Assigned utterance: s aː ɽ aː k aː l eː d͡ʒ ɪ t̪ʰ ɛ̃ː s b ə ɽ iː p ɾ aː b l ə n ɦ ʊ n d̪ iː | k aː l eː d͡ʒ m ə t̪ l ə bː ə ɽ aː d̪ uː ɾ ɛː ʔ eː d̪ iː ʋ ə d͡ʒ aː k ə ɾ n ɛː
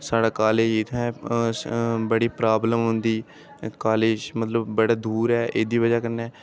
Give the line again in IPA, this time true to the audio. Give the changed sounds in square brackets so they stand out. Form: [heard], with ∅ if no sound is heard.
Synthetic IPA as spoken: s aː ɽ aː k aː l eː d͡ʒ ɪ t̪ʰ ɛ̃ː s b ə ɽ iː p ɾ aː b l ə [m] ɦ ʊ n d̪ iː | k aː l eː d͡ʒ m ə t̪ l ə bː ə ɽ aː d̪ uː ɾ ɛː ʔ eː d̪ iː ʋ ə d͡ʒ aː k ə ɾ n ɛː